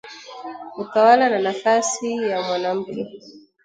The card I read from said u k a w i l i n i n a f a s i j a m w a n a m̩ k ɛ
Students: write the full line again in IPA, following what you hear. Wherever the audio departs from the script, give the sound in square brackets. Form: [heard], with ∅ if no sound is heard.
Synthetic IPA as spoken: u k a w [a] l [a] n [a] n a f a s i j a m w a n a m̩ k ɛ